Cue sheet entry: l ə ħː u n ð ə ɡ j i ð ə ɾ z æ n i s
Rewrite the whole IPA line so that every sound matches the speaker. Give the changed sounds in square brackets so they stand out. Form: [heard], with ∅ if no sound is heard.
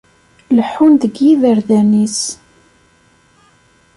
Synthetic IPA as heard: l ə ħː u n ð ə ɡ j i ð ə ɾ [ð] æ n i s